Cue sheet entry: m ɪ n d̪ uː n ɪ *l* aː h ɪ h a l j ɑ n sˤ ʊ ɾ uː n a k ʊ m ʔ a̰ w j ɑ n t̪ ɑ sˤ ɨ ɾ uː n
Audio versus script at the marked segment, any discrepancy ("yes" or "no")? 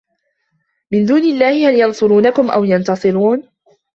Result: yes